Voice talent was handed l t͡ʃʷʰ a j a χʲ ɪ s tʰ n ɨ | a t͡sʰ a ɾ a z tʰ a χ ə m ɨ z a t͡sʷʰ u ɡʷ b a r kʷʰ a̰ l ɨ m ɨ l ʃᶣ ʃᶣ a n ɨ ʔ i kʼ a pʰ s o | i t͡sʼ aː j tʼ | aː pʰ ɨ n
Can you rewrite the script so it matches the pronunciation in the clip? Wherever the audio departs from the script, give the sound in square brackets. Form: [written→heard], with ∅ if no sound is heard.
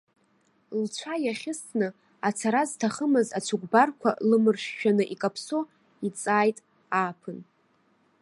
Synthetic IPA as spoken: l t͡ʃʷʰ a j a χʲ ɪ s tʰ n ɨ | a t͡sʰ a ɾ a z tʰ a χ ə m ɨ z a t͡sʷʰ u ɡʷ b a r kʷʰ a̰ l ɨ m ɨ [l→r] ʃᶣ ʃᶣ a n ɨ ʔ i kʼ a pʰ s o | i t͡sʼ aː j tʼ | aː pʰ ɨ n

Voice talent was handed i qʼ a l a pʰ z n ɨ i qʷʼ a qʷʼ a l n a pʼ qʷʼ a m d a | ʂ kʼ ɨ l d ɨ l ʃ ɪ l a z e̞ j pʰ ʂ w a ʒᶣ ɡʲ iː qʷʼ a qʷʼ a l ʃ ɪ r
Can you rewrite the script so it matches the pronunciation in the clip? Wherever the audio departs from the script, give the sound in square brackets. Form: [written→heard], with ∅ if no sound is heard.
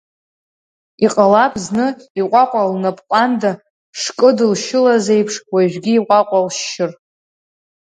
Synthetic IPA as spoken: i qʼ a l a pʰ z n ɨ i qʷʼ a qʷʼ a l n a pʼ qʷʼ a [m→n] d a | ʂ kʼ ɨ [l→∅] d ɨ l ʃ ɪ l a z e̞ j pʰ ʂ w a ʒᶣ ɡʲ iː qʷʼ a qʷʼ a l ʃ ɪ r

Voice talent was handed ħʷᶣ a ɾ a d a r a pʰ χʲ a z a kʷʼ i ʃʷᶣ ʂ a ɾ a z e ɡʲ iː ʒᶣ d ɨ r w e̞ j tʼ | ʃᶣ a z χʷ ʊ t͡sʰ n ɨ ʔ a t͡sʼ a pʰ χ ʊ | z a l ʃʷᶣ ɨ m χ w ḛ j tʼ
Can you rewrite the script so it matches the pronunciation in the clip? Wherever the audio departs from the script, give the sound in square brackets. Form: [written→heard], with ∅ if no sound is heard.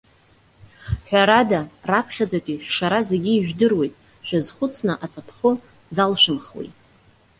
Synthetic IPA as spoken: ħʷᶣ a ɾ a d a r a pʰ χʲ a [z→d͡z] a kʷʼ i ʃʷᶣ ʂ a ɾ a z e ɡʲ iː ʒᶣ d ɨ r w e̞ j tʼ | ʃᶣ a z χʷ ʊ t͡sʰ n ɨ ʔ a t͡sʼ a pʰ χ ʊ | z a l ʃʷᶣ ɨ m χ w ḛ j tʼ

